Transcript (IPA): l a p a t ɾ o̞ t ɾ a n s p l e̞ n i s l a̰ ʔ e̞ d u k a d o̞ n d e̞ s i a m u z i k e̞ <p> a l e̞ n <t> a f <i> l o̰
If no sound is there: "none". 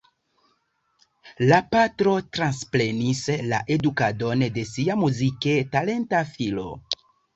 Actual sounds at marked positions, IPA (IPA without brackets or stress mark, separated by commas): t, t, i